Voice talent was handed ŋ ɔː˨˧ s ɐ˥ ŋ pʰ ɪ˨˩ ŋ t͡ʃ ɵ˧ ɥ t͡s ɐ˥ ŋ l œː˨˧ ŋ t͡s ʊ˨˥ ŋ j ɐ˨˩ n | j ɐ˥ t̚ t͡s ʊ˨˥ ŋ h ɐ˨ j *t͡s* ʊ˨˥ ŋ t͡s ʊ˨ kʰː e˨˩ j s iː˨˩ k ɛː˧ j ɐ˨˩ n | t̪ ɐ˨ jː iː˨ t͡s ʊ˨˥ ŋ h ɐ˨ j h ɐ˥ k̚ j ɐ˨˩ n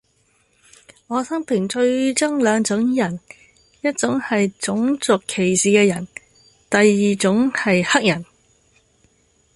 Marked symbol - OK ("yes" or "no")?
yes